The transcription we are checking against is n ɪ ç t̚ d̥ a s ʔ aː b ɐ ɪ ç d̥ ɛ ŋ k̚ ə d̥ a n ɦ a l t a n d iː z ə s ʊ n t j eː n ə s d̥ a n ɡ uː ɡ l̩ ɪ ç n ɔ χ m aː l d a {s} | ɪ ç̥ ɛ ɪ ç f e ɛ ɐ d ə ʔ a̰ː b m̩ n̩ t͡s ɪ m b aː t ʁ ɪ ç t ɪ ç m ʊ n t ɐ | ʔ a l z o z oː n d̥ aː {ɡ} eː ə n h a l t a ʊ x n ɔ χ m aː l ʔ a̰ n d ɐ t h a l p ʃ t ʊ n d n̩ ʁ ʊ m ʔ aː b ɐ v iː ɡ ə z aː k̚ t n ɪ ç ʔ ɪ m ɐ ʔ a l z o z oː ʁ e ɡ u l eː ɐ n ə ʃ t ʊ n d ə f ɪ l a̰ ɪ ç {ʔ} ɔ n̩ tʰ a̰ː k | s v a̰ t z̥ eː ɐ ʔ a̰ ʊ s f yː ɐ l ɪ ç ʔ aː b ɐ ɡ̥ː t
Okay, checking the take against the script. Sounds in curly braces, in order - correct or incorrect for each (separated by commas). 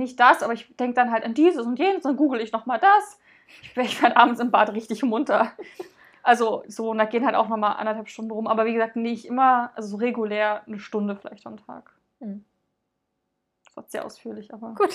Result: correct, correct, incorrect